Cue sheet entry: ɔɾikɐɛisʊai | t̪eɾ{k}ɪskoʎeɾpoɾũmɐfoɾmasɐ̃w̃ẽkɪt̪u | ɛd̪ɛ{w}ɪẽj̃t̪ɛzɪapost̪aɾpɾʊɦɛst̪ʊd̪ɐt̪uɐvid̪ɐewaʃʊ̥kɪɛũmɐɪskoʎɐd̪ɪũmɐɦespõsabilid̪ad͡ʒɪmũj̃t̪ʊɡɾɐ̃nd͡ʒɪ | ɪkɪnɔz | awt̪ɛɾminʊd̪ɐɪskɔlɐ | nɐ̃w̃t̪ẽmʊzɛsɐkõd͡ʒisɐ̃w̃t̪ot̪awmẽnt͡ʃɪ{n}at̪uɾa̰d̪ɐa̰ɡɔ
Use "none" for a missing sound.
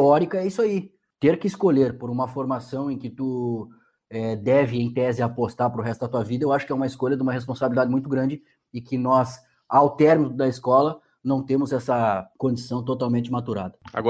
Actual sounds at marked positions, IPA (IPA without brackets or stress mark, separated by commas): k, v, m